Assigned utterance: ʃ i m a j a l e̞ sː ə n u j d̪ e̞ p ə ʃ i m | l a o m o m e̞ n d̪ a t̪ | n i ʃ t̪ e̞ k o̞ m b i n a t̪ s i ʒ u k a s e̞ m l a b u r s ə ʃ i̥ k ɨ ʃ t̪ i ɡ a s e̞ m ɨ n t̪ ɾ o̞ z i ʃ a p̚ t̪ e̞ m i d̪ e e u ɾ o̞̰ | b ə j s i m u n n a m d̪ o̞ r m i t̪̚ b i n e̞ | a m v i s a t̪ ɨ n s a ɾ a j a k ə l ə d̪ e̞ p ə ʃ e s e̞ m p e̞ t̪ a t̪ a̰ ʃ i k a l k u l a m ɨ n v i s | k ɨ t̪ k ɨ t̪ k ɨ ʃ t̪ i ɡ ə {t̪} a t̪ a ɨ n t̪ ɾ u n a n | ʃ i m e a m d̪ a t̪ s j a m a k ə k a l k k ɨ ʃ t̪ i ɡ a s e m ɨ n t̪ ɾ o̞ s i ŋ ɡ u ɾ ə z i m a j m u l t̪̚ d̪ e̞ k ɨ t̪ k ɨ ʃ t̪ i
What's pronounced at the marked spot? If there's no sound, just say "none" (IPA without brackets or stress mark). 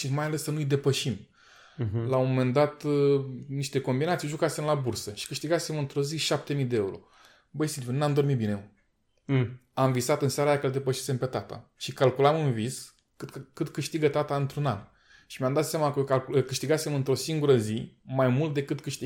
t̪